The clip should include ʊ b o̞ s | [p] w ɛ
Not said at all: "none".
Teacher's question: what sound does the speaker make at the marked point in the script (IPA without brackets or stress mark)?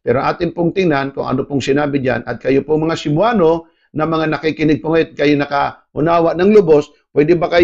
p